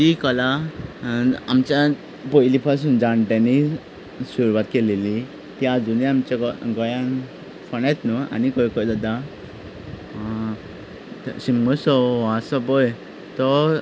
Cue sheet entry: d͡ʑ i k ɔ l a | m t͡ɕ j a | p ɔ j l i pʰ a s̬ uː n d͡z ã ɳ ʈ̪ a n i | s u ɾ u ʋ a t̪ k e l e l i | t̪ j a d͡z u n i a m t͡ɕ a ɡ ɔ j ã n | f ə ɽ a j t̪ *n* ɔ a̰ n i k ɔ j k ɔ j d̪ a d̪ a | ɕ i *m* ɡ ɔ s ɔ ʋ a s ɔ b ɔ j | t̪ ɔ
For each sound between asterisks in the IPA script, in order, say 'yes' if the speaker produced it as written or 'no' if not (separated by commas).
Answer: yes, yes